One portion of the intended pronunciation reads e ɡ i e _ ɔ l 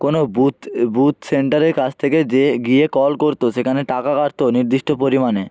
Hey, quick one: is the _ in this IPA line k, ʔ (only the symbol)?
k